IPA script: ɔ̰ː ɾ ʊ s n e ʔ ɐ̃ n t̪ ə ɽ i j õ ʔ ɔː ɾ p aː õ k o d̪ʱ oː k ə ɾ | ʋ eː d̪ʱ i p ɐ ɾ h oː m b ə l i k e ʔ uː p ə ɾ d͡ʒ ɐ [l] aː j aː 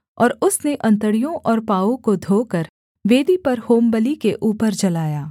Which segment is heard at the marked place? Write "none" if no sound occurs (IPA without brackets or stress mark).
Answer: l